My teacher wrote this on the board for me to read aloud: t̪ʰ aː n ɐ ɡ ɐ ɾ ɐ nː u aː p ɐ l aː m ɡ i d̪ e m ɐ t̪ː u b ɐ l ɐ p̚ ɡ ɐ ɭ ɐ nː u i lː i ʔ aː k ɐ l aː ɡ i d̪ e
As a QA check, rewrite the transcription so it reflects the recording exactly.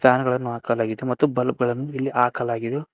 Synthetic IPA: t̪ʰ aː n ɐ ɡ ɐ ɭ ɐ nː u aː k ɐ l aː ɡ i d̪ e m ɐ t̪ː u b ɐ l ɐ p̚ ɡ ɐ ɭ ɐ nː u i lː i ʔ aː k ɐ l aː ɡ i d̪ e